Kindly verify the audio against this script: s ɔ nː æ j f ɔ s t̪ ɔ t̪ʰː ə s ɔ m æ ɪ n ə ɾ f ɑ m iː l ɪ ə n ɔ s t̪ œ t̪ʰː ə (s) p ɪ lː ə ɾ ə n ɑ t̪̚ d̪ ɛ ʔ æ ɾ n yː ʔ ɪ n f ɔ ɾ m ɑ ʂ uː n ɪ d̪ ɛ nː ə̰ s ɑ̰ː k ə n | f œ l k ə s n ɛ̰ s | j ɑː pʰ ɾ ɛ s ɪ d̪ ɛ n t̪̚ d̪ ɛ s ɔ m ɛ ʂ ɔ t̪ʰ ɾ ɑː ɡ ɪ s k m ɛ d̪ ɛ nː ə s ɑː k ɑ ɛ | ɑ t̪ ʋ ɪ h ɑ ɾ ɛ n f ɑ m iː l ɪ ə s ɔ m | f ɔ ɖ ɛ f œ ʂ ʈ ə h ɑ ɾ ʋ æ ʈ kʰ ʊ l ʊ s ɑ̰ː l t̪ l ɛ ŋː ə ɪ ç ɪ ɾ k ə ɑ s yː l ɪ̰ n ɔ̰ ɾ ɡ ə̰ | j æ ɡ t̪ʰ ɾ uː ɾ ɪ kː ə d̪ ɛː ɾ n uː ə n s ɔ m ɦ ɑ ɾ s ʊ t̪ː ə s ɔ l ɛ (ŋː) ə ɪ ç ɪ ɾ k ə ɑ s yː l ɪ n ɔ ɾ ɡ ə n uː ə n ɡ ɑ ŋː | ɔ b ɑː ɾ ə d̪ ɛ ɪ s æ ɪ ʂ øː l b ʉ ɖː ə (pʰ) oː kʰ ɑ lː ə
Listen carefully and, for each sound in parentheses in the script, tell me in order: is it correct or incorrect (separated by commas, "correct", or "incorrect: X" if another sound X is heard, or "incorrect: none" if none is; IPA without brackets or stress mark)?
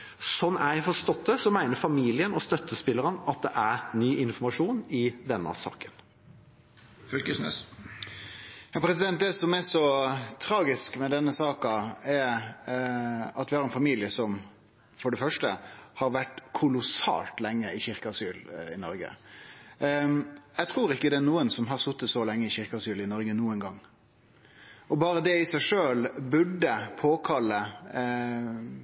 correct, correct, correct